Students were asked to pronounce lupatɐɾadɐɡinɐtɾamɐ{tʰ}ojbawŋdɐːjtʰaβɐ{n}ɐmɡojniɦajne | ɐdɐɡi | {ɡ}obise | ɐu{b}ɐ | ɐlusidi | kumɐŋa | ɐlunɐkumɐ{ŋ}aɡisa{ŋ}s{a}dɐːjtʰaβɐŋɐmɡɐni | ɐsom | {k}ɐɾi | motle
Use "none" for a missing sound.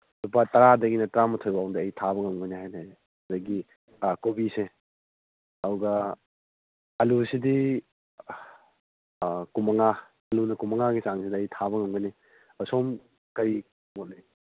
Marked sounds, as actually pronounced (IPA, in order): tʰ, ŋ, k, ɡ, ŋ, ŋ, i, k

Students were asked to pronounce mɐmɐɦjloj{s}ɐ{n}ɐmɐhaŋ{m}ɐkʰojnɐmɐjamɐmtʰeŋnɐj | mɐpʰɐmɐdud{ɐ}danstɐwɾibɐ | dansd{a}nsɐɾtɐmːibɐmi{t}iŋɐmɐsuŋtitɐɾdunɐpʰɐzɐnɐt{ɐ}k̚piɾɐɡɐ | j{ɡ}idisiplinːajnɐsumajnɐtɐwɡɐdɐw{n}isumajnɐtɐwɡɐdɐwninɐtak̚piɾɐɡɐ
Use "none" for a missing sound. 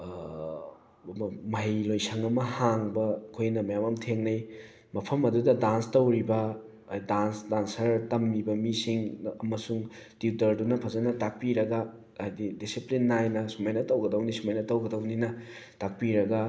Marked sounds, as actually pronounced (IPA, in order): s, ŋ, b, ɐ, a, s, a, d, n

